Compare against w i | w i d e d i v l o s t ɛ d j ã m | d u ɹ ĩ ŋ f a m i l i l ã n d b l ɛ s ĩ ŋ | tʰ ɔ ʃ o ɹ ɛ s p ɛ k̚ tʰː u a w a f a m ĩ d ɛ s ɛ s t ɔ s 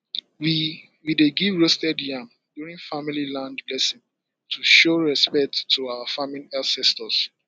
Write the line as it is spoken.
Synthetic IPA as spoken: w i | w i d e ɡ i v ɹ o s t ɛ d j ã m | d u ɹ ĩ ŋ f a m i l i l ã n d b l ɛ s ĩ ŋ | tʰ u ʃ o ɹ ɛ s p ɛ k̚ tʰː u a w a f a m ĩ n ɛ s ɛ s t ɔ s